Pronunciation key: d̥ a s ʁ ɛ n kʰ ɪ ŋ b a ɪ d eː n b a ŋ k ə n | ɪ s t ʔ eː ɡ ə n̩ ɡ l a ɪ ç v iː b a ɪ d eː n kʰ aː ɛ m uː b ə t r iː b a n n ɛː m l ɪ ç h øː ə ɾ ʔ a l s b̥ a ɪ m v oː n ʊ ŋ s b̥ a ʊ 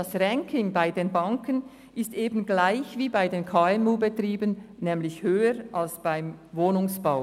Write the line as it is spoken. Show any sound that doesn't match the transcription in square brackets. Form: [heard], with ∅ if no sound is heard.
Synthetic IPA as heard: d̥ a s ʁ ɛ [ŋ] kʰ ɪ ŋ b a ɪ d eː n b a ŋ k ə n | ɪ s t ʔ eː [b] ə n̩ ɡ l a ɪ ç v iː b a ɪ d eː n kʰ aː ɛ m uː b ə t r iː b [ə] n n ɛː m l ɪ ç h øː ə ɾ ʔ a l s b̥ a ɪ m v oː n ʊ ŋ s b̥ a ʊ